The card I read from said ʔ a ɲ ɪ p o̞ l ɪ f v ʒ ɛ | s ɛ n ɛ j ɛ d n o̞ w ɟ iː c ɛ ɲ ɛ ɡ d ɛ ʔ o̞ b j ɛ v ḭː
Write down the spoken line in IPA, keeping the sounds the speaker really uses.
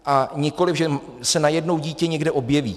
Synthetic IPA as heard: ʔ a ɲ ɪ k o̞ l ɪ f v ʒ ɛ | s ɛ n a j ɛ d n o̞ w ɟ iː c ɛ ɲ ɛ ɡ d ɛ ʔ o̞ b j ɛ v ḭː